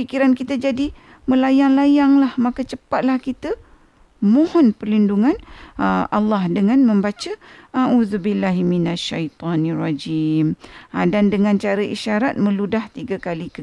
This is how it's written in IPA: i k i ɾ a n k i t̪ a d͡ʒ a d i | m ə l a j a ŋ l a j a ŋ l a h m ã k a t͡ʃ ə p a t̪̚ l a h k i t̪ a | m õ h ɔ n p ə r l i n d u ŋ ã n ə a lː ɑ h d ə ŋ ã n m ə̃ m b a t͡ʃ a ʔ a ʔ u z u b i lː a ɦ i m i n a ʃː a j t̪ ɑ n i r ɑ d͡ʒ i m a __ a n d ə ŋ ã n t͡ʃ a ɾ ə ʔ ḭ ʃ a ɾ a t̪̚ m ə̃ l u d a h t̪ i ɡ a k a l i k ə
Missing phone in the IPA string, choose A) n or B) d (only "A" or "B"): B